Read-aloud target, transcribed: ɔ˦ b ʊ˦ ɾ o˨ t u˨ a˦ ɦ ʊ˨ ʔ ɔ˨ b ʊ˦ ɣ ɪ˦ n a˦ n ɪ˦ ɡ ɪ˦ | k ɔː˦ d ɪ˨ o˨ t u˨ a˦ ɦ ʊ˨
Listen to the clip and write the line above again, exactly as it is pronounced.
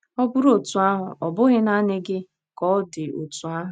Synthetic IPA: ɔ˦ b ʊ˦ ɾ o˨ t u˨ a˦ ɦ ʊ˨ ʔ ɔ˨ b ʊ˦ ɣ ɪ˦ n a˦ n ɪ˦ ɡ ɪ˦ | k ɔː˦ d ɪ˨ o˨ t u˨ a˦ ɦ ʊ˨